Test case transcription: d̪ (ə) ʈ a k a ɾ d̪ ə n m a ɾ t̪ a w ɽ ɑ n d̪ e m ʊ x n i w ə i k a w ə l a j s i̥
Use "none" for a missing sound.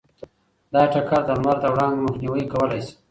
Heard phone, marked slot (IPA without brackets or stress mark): ɑ